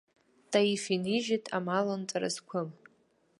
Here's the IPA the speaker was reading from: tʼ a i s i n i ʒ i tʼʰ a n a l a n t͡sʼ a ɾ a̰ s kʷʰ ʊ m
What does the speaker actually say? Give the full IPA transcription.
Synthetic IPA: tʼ a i f i n i ʒ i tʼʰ a m a l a n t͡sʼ a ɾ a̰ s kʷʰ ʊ m

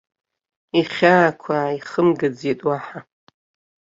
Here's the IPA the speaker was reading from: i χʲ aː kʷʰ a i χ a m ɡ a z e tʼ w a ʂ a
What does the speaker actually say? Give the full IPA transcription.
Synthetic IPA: i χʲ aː kʷʰ a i χ ə m ɡ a d͡z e tʼ w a ħ a

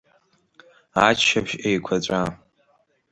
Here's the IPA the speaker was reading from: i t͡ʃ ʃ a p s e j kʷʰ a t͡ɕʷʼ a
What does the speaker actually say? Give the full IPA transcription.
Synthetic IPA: a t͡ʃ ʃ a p ʃ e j kʷʰ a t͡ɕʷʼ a

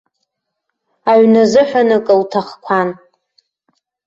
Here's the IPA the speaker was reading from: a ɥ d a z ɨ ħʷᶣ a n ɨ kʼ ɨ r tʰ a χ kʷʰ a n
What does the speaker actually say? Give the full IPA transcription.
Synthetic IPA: a ɥ n a z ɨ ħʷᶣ a n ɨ kʼ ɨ l tʰ a χ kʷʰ a n

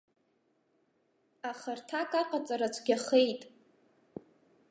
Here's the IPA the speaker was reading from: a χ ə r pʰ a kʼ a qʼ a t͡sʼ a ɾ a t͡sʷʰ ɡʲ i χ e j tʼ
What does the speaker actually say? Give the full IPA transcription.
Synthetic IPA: a χ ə r tʰ a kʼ a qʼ a t͡sʼ a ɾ a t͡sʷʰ ɡʲ a χ e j tʼ

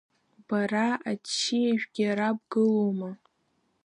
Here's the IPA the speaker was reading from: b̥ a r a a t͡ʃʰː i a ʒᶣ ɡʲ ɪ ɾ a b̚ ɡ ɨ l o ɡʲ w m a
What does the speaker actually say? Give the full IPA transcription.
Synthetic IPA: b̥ a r a a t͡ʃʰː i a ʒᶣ ɡʲ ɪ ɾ a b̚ ɡ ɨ l o w m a

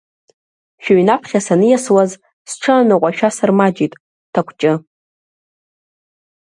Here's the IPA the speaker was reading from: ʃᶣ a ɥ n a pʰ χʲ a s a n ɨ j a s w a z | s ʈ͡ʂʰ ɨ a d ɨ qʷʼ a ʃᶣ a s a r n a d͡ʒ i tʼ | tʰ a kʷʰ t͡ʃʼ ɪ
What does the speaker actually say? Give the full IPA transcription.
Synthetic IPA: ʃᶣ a ɥ n a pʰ χʲ a s a n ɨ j a s w a z | s ʈ͡ʂʰ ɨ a n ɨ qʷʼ a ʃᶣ a s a r m a d͡ʒ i tʼ | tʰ a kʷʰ t͡ʃʼ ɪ

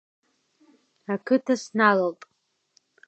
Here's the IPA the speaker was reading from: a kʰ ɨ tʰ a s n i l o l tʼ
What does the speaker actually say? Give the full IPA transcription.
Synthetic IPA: a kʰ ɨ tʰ a s n a l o l tʼ

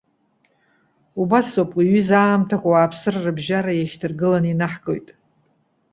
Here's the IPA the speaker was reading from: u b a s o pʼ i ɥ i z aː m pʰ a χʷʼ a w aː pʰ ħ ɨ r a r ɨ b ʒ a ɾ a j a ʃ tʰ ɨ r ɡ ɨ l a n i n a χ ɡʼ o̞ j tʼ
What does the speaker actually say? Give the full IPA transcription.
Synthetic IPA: u b a s o pʼ i ɥ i z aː m tʰ a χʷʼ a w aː pʰ s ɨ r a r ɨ b ʒ a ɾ a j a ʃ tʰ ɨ r ɡ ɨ l a n i n a ħ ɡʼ o̞ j tʼ

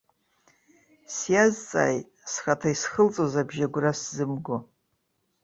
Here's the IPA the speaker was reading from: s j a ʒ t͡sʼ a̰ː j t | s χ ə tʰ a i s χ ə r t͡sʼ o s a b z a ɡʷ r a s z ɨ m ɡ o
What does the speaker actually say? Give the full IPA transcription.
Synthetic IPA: s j a z t͡sʼ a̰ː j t | s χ a tʰ a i s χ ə l t͡sʼ o z a b ʒ a ɡʷ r a s z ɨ m ɡ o

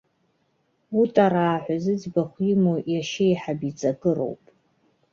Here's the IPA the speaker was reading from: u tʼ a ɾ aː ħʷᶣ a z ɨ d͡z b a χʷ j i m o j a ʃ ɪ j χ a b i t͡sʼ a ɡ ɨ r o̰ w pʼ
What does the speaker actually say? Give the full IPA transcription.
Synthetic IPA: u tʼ a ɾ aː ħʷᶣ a z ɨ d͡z b a χʷ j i m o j a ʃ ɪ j ħ a b i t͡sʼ a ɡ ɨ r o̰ w pʼ

